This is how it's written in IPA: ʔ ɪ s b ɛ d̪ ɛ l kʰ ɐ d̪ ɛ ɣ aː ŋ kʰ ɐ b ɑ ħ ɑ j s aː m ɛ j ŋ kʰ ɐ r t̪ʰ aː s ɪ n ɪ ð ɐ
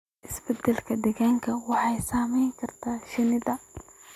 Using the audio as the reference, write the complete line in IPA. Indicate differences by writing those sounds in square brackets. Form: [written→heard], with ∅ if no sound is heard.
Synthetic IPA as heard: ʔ ɪ s b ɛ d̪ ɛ l kʰ ɐ d̪ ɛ ɣ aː ŋ kʰ ɐ [b→w] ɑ ħ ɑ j s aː m ɛ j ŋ kʰ ɐ r t̪ʰ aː [s→ʃ] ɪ n ɪ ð ɐ

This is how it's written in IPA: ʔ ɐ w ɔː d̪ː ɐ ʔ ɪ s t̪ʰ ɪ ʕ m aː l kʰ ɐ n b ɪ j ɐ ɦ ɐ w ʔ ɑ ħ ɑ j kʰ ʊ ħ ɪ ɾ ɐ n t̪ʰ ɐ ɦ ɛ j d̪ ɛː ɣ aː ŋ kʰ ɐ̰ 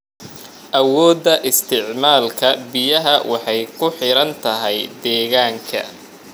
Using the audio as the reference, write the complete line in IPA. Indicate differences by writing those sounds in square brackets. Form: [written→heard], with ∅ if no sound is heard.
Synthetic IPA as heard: ʔ ɐ w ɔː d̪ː ɐ ʔ ɪ s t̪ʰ ɪ ʕ m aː l kʰ ɐ [n→∅] b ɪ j ɐ ɦ ɐ w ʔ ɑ ħ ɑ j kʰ ʊ ħ ɪ ɾ ɐ n t̪ʰ ɐ ɦ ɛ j d̪ ɛː ɣ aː ŋ kʰ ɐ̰

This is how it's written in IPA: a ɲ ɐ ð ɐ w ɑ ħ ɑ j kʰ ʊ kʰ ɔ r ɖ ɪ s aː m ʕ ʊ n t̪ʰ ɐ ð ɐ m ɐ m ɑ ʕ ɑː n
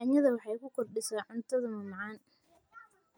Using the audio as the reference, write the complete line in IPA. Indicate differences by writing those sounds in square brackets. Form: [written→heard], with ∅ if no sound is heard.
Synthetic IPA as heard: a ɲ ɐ ð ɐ w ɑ ħ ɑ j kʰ ʊ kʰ ɔ r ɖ ɪ s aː [m→∅] ʕ ʊ n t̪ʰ ɐ ð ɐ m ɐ m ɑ ʕ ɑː n

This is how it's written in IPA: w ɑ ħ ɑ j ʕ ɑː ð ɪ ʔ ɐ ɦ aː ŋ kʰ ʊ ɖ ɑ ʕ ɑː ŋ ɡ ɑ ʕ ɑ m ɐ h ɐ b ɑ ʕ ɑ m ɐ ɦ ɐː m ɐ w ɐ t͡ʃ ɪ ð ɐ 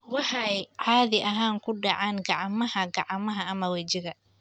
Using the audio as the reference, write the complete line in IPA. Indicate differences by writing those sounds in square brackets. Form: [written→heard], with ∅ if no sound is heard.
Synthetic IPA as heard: w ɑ ħ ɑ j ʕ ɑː ð ɪ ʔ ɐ ɦ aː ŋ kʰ ʊ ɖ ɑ ʕ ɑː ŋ ɡ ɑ ʕ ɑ m ɐ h ɐ [b→ɡ] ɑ ʕ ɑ m ɐ ɦ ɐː m ɐ w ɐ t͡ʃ ɪ [ð→ɣ] ɐ

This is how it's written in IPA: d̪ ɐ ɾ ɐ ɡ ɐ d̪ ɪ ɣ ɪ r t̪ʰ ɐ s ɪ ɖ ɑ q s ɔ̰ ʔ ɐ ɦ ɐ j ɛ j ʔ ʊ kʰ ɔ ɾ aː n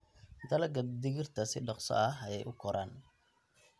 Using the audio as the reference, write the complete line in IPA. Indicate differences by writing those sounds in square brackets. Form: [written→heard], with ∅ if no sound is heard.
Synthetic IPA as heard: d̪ ɐ [ɾ→l] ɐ ɡ ɐ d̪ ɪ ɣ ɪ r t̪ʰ ɐ s ɪ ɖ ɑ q s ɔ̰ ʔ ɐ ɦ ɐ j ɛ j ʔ ʊ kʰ ɔ ɾ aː n

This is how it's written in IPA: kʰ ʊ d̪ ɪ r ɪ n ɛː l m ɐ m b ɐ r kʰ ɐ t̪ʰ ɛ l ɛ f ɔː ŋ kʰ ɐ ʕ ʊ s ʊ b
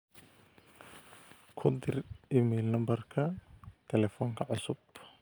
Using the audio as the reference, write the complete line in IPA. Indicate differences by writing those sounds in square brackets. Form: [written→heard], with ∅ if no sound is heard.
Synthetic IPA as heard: kʰ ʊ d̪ ɪ r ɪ [n→m] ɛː l [m→n] ɐ m b ɐ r kʰ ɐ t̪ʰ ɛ l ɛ f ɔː ŋ kʰ ɐ ʕ ʊ s ʊ b

